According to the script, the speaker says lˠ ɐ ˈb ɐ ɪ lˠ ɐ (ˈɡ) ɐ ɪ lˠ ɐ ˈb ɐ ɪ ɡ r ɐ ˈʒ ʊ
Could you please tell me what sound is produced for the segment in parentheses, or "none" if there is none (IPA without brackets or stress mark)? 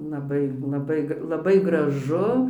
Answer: b